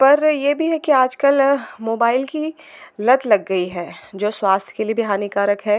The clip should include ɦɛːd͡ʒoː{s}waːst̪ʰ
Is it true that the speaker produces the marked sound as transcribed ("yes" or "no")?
yes